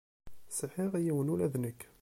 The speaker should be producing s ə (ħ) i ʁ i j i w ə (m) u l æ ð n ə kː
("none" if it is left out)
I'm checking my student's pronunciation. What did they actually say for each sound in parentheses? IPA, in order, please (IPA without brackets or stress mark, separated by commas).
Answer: ħ, n